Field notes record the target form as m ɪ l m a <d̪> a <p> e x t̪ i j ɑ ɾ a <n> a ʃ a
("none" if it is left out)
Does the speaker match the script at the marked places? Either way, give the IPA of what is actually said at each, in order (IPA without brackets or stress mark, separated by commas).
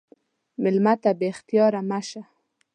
t̪, b, m